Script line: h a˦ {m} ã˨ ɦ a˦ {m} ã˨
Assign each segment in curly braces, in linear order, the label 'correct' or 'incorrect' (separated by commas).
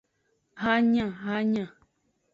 incorrect, incorrect